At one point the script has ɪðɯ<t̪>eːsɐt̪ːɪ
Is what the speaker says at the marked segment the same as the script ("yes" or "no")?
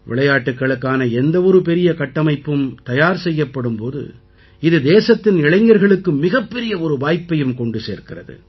no